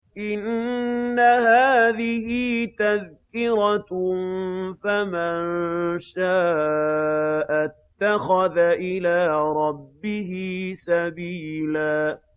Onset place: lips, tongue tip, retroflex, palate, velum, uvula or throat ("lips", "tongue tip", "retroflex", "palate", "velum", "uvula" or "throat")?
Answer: throat